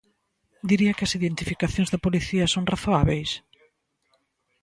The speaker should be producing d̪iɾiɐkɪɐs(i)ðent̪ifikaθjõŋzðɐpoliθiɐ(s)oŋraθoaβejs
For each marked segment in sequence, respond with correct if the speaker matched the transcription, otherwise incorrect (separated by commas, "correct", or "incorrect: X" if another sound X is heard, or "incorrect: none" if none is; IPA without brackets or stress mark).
correct, correct